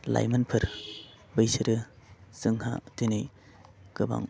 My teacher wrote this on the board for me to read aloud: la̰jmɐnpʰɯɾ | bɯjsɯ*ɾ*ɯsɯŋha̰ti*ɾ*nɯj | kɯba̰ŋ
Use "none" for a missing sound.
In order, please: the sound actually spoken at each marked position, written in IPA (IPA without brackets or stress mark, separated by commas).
ɾ, none